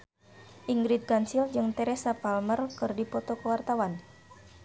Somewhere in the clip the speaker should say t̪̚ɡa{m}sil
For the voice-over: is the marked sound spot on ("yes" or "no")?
no